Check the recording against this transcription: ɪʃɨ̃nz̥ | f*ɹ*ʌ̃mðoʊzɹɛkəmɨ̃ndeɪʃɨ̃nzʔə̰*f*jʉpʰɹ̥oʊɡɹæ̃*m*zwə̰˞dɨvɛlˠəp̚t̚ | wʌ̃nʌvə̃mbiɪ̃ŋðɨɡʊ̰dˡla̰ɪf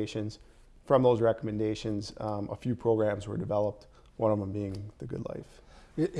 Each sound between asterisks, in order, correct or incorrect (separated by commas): correct, correct, correct